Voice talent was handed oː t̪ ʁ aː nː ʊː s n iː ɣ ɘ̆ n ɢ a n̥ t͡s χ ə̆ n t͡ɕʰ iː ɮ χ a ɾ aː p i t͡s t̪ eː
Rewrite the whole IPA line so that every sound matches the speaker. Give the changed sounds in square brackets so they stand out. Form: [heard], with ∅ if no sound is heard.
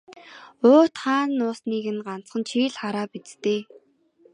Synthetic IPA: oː t̪ [χ] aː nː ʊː s n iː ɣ ɘ̆ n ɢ a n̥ t͡s χ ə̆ n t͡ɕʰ iː ɮ χ a ɾ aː p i t͡s t̪ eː